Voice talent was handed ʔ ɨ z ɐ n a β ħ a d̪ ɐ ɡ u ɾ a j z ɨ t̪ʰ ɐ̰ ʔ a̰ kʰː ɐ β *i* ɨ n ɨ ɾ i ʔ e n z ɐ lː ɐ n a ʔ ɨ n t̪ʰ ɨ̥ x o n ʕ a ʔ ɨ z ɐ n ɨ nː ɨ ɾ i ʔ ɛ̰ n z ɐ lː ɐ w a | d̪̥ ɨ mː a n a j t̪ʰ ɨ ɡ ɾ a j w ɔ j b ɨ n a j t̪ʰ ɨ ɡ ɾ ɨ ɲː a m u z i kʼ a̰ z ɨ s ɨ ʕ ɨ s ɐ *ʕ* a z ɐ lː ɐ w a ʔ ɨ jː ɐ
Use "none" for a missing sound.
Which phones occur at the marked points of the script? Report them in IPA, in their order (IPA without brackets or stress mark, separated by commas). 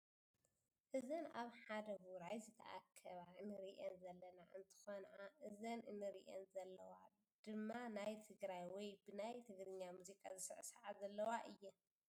a, ʕ